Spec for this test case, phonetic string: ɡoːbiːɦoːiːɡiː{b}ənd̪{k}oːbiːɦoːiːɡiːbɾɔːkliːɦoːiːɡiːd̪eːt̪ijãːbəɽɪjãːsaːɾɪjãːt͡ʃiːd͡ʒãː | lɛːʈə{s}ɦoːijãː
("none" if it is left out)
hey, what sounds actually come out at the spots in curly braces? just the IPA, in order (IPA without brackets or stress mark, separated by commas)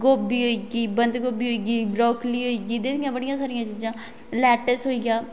b, ɡ, s